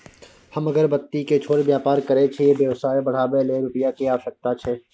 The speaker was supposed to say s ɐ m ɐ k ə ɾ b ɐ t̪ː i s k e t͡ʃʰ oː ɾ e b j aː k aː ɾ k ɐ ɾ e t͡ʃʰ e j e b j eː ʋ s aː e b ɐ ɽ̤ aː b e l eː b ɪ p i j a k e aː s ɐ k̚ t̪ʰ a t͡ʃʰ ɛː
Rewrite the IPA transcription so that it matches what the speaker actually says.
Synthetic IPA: h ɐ m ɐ ɡ ə ɾ b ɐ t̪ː i k e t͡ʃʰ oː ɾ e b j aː p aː ɾ k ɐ ɾ e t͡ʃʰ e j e b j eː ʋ s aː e b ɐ ɽ̤ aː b e l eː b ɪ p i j a k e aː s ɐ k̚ t̪ a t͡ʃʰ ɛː